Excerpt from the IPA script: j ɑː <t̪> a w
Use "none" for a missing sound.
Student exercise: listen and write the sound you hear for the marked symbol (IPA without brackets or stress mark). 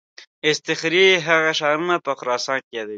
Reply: d̪